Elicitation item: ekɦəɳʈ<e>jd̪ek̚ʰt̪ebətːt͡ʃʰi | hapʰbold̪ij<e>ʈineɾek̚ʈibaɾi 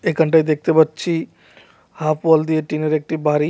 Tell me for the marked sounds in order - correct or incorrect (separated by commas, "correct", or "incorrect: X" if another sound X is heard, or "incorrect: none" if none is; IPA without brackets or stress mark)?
incorrect: a, correct